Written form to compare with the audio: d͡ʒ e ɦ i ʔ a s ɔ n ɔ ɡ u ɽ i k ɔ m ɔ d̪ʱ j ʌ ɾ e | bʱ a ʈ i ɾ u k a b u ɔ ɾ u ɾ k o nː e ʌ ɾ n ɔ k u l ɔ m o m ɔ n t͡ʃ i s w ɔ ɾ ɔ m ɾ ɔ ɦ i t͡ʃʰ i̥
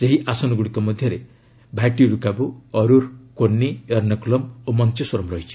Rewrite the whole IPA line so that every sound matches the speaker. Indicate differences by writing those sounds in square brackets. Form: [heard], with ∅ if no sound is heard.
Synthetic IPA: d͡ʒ e ɦ i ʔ a s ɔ n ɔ ɡ u ɽ i k ɔ m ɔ d̪ʱ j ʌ ɾ e | bʱ a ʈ i ɾ u k a b u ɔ ɾ u ɾ k o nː [i] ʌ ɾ n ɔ k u l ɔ m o m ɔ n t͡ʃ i s w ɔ ɾ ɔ m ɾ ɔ ɦ i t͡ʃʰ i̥